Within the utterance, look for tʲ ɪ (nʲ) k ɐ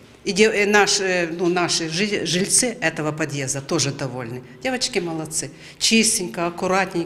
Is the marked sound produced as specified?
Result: yes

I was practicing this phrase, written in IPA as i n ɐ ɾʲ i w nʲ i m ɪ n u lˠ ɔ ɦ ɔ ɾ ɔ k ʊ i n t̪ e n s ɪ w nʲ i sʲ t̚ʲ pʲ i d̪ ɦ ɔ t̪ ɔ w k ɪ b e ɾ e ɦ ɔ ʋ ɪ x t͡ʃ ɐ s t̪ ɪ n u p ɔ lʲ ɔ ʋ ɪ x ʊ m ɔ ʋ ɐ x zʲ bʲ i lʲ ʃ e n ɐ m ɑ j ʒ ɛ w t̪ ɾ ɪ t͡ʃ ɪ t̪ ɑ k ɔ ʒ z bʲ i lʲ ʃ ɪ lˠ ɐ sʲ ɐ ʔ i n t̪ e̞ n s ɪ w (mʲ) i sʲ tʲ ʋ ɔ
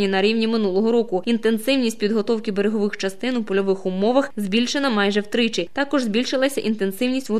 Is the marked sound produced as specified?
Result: no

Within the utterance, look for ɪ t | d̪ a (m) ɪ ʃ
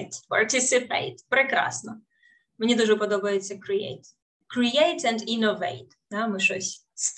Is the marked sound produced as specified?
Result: yes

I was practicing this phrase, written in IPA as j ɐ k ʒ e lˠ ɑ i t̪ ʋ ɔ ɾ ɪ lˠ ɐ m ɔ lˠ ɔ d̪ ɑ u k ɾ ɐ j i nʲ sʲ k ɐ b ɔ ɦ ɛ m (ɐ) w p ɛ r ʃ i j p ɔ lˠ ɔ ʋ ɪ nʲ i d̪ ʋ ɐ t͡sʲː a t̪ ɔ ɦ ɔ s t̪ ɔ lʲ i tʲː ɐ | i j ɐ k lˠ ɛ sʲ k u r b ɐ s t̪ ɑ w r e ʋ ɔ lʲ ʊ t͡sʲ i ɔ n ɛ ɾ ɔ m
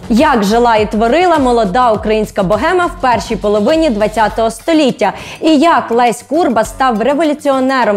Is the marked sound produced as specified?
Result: yes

